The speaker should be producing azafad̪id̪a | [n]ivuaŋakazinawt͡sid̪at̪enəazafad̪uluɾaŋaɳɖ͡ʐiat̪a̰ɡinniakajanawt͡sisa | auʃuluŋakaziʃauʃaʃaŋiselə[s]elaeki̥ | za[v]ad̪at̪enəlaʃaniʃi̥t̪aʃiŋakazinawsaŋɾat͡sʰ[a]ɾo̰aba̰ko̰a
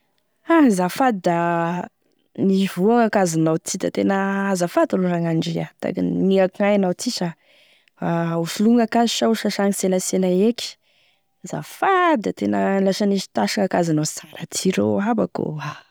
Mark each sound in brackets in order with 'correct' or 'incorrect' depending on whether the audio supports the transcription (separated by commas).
correct, correct, incorrect, incorrect